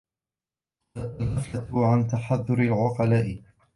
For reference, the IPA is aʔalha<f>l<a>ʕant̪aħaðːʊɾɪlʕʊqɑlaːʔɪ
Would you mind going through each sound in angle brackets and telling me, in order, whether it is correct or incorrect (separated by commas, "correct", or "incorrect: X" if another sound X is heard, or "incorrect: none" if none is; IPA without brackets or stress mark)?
correct, correct